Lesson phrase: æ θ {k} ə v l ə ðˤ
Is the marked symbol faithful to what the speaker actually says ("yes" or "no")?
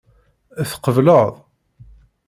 no